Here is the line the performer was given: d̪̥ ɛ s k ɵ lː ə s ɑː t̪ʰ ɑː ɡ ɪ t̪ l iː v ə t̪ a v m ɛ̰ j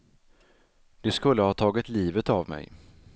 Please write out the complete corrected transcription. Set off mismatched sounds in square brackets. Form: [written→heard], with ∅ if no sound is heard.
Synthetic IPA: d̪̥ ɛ s k ɵ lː ə [s→h] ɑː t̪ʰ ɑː ɡ ɪ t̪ l iː v ə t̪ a v m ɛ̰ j